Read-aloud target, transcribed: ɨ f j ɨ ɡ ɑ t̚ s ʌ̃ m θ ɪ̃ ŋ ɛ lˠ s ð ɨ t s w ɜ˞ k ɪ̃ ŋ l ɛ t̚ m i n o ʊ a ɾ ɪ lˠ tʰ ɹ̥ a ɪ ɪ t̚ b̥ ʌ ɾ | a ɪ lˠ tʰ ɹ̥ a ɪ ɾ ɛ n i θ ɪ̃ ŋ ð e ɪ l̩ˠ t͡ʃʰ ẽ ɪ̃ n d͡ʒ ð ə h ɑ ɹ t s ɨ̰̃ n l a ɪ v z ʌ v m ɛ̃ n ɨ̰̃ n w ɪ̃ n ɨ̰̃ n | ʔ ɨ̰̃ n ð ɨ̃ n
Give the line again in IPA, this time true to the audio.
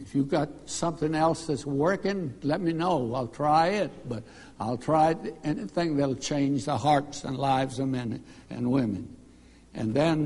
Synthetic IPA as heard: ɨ f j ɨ ɡ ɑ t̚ s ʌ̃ m θ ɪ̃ ŋ ɛ lˠ s ð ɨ t s w ɜ˞ k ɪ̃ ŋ l ɛ t̚ m i n o ʊ a ɪ lˠ tʰ ɹ̥ a ɪ ɪ t̚ b̥ ʌ ɾ | a ɪ lˠ tʰ ɹ̥ a ɪ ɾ ɛ n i θ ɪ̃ ŋ ð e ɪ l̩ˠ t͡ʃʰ ẽ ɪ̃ n d͡ʒ ð ə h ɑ ɹ t s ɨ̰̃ n l a ɪ v z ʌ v m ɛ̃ n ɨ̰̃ n w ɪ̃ m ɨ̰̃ n | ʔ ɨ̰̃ n ð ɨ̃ n

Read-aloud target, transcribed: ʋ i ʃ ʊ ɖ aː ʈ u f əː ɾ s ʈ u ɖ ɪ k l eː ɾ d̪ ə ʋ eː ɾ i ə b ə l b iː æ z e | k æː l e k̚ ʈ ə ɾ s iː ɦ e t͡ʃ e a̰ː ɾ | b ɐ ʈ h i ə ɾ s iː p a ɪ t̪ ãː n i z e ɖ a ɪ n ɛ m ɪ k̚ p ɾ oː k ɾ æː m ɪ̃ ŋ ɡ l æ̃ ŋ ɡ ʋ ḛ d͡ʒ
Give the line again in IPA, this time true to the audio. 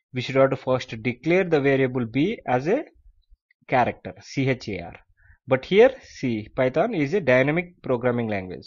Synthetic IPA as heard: ʋ i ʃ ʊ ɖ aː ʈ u f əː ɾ s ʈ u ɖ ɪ k l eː ɾ d̪ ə ʋ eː ɾ i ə b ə l b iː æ z e | k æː ɾ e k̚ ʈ ə ɾ s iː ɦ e t͡ʃ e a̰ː ɾ | b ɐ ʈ h i ə ɾ s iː p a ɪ t̪ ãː n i z e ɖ a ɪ n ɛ m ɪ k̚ p ɾ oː ɡ ɾ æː m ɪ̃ ŋ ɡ l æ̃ ŋ ɡ ʋ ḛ d͡ʒ

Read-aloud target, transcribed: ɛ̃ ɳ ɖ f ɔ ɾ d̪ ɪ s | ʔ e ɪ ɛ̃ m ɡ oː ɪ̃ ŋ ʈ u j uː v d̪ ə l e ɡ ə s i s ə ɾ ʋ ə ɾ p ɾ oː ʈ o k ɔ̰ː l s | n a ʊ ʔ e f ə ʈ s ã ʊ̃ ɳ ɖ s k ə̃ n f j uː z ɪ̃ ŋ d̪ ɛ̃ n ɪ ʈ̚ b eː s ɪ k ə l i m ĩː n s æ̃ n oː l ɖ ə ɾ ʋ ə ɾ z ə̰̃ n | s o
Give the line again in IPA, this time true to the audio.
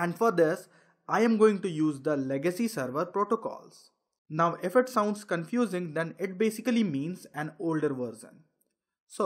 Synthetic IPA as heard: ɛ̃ ɳ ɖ f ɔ ɾ d̪ ɪ s | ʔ a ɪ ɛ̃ m ɡ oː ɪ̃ ŋ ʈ u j uː z d̪ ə l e ɡ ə s i s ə ɾ ʋ ə ɾ p ɾ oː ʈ o k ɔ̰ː l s | n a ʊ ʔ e f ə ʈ s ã ʊ̃ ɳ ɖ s k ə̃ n f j uː z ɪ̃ ŋ d̪ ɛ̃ n ɪ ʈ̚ b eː s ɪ k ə l i m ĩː n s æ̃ n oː l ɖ ə ɾ ʋ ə ɾ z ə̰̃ n | s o

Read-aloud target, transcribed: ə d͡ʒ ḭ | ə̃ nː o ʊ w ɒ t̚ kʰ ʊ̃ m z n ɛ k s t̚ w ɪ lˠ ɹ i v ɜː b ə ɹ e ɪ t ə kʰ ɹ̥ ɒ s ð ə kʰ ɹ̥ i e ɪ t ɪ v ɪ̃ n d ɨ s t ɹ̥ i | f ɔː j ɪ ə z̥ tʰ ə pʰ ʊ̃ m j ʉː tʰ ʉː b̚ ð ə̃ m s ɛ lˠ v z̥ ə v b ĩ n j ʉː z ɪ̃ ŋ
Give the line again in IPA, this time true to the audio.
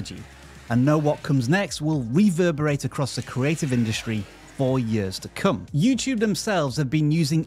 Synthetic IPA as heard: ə d͡ʒ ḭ | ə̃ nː o ʊ w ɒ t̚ kʰ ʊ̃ m z n ɛ k s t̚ w ɪ lˠ ɹ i v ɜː b ə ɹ e ɪ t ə kʰ ɹ̥ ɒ s ð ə kʰ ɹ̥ i e ɪ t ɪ v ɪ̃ n d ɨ s t ɹ̥ i | f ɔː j ɪ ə z̥ tʰ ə kʰ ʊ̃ m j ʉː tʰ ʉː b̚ ð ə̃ m s ɛ lˠ v z̥ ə v b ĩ n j ʉː z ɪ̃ ŋ

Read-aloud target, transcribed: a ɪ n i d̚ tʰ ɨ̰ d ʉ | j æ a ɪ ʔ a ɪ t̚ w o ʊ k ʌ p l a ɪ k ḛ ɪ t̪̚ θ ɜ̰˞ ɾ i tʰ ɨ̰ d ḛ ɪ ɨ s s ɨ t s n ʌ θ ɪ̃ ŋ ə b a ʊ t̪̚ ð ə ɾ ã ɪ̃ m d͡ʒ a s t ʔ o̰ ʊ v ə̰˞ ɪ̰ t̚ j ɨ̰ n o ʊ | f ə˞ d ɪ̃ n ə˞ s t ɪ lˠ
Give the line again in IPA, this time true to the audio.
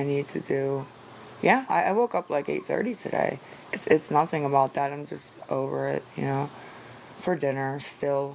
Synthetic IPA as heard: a ɪ n i d̚ tʰ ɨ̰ d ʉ | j æ a ɪ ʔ a ɪ w o ʊ k ʌ p l a ɪ k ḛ ɪ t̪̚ θ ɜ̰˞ ɾ i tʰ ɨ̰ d ḛ ɪ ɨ t s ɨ t s n ʌ θ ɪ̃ ŋ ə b a ʊ t̪̚ ð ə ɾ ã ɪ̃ m d͡ʒ ʌ s t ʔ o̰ ʊ v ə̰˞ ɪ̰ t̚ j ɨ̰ n o ʊ | f ə˞ d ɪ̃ n ə˞ s t ɪ lˠ

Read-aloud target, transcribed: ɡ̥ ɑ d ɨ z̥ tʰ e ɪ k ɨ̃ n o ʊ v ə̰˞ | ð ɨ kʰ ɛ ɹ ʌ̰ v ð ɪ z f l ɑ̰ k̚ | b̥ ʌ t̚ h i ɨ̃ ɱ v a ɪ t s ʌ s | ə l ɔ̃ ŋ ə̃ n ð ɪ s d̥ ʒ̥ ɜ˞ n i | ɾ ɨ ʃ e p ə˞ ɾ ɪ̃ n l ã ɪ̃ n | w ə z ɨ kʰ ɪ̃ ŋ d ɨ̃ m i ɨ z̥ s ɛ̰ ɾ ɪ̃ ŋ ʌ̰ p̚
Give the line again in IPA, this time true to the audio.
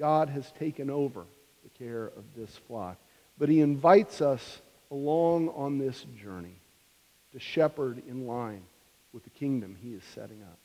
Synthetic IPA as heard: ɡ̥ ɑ d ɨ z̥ tʰ e ɪ k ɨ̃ n o ʊ v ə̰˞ | ð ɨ kʰ ɛ ɹ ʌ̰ v ð ɪ s f l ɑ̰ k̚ | b̥ ʌ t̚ h i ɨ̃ ɱ v a ɪ t s ʌ s | ə l ɔ̃ ŋ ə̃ n ð ɪ s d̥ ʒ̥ ɜ˞ n i | ɾ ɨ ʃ ɛ p ə˞ ɾ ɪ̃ n l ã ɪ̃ n | w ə ð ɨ kʰ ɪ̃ ŋ d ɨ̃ m i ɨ z̥ s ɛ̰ ɾ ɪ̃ ŋ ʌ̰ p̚

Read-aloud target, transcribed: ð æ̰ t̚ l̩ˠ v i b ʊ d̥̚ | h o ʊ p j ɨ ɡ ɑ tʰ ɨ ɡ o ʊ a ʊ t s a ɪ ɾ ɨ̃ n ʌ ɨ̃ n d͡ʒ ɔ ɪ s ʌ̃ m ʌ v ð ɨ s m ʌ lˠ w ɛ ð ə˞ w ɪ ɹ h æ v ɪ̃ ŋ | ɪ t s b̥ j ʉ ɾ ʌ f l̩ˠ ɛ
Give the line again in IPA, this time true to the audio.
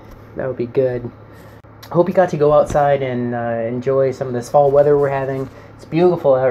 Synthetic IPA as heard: ð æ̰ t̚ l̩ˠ b i ɡ ʊ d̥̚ | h o ʊ p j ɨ ɡ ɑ tʰ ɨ ɡ o ʊ a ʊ t s a ɪ ɾ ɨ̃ n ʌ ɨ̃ n d͡ʒ ɔ ɪ s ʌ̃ m ʌ v ð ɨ s m ɔ lˠ w ɛ ð ə˞ w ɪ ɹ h æ v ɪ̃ ŋ | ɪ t s b̥ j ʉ ɾ ə f l̩ˠ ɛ

